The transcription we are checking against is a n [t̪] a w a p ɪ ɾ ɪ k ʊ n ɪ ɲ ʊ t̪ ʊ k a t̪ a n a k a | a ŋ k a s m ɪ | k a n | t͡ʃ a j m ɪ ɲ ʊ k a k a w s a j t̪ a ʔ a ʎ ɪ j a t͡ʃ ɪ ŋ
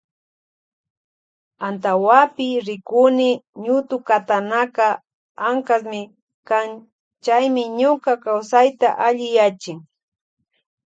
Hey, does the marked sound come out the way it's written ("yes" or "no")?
yes